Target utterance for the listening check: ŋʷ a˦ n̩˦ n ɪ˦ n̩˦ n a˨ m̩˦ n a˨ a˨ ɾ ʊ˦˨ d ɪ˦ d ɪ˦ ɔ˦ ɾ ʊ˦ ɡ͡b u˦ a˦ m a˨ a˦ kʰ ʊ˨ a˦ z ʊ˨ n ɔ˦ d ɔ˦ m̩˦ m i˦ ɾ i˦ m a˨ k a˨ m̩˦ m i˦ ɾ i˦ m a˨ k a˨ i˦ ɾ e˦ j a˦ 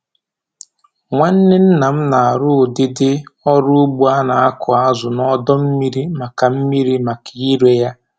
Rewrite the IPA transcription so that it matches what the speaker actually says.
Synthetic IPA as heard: ŋʷ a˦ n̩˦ n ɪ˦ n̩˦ n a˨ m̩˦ n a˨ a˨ ɾ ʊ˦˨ d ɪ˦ d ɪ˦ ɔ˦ ɾ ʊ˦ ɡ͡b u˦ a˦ n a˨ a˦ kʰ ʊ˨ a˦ z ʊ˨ n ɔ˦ d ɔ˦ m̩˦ m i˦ ɾ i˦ m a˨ k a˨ m̩˦ m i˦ ɾ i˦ m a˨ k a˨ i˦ ɾ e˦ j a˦